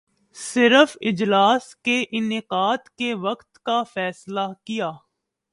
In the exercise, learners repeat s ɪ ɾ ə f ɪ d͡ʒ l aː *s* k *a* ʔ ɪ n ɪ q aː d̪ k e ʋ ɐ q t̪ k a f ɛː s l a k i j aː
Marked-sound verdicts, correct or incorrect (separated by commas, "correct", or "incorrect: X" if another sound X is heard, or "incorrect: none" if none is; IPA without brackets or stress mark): correct, incorrect: e